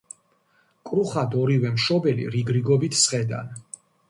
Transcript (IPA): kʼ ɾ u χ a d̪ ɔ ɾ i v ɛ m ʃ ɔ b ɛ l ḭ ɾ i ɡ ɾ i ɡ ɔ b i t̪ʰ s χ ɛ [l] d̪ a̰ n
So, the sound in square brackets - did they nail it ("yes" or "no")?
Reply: no